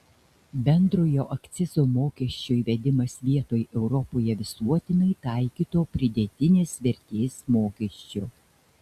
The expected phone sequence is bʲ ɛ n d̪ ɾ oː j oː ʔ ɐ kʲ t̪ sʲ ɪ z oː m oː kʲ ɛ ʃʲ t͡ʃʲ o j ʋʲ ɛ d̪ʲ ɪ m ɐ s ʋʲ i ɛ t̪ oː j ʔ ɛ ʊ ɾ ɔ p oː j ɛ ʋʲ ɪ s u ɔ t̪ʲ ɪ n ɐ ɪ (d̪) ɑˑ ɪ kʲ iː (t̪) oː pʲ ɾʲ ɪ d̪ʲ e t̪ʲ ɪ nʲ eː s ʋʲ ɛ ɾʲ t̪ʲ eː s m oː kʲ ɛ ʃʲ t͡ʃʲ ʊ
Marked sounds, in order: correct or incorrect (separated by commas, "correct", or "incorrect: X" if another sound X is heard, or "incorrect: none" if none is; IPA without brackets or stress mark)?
incorrect: t̪, correct